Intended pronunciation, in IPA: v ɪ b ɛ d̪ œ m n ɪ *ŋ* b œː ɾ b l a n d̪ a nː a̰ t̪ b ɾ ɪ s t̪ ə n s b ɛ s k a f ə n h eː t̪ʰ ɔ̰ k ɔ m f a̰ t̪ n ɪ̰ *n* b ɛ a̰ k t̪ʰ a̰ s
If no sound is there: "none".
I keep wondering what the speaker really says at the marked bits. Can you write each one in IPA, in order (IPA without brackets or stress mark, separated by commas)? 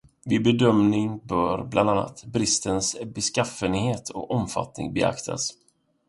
ŋ, ŋ